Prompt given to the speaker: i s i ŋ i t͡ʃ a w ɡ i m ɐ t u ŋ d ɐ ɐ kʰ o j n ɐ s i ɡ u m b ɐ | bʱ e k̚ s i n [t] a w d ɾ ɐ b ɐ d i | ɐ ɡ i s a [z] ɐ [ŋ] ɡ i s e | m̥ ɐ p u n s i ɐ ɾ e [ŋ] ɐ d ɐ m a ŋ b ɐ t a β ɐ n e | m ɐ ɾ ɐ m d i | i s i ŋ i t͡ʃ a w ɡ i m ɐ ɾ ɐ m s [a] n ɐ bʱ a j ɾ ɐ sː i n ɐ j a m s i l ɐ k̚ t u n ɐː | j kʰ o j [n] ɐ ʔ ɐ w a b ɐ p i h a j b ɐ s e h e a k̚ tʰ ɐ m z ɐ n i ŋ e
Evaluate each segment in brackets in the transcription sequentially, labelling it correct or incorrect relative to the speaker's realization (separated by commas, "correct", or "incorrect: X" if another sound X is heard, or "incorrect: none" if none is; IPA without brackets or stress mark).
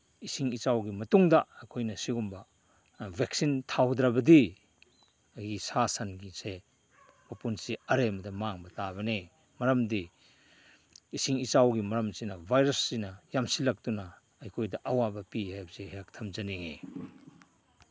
incorrect: tʰ, incorrect: s, incorrect: n, incorrect: m, incorrect: i, incorrect: d